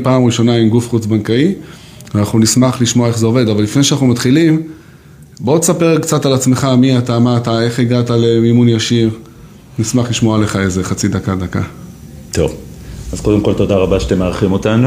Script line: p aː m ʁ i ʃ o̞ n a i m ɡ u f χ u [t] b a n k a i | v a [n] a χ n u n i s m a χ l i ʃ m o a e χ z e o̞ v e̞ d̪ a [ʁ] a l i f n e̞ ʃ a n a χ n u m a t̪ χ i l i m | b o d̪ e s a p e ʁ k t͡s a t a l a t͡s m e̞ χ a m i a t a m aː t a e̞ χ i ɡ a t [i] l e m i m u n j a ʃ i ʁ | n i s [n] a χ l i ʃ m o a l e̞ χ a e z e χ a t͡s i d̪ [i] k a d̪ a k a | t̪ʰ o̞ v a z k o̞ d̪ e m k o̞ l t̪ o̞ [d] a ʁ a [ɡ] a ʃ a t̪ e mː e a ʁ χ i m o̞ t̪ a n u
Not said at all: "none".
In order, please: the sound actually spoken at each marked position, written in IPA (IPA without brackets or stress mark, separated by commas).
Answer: t͡s, n, v, a, m, a, d, b